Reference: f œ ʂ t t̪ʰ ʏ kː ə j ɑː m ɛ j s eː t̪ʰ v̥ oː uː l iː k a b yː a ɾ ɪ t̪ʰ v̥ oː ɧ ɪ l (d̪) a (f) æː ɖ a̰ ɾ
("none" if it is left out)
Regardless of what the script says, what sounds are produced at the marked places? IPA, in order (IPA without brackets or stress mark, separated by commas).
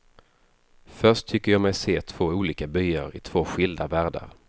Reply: d̪, v